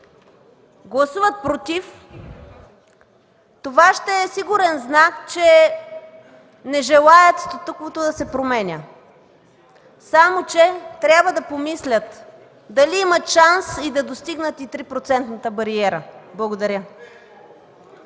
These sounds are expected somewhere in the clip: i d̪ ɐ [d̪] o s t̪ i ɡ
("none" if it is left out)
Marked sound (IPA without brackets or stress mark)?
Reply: d̪